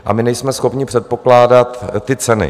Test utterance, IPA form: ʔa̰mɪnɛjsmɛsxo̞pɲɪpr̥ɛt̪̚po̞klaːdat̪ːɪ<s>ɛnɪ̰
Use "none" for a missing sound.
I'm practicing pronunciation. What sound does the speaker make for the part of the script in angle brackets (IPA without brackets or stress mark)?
t͡s